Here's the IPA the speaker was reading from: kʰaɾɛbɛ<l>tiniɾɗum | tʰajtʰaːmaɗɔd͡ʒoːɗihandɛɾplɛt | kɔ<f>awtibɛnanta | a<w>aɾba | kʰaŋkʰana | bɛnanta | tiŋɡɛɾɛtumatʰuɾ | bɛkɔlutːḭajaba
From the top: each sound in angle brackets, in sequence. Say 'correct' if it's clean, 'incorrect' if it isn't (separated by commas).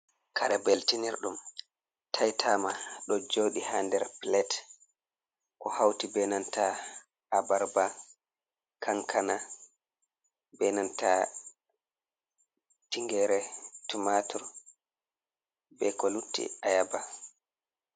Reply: correct, incorrect, incorrect